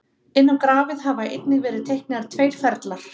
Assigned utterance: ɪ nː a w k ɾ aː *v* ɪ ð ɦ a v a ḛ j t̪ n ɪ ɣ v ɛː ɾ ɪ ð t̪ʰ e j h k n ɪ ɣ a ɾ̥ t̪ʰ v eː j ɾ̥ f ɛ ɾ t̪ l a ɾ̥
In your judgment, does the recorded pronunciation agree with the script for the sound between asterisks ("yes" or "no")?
yes